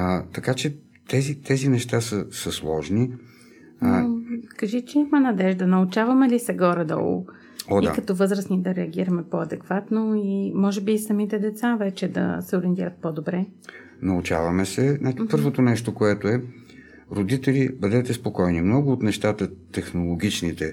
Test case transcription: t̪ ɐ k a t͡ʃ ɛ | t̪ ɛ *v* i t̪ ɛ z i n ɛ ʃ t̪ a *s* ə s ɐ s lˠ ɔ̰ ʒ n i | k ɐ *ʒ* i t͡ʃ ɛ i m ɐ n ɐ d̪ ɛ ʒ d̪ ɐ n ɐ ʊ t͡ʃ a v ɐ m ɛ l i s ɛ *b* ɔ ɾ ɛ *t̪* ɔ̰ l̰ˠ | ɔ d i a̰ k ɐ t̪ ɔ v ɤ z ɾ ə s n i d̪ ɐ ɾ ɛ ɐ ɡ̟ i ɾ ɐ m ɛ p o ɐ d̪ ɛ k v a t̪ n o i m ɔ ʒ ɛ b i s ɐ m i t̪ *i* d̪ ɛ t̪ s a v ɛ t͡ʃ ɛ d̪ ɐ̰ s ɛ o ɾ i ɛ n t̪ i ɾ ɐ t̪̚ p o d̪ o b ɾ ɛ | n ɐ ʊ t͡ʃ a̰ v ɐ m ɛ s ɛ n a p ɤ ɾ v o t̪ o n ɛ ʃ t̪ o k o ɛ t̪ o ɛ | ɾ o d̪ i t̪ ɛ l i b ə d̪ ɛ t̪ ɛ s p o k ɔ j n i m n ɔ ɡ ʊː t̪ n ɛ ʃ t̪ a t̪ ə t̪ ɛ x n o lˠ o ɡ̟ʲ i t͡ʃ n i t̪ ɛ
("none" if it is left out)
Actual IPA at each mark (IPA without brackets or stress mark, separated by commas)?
z, s, ʒ, ɡ, d̪, ɛ